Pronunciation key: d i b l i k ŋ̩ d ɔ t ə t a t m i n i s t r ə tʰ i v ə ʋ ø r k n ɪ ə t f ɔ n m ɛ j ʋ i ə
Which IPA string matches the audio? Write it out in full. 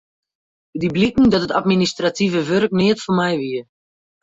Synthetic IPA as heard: d i b l i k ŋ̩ d ɔ t ə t a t m i n i s t r a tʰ i v ə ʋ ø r k n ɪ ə t f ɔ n m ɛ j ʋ i ə